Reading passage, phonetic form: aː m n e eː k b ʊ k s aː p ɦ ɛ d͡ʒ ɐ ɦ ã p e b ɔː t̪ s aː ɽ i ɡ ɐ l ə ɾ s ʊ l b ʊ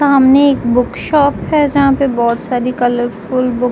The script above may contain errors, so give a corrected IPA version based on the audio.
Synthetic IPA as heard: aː m n e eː k b ʊ k ʃ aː p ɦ ɛ d͡ʒ ɐ ɦ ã p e b ɔː t̪ s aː ɾ i k ɐ l ə ɾ f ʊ l b ʊ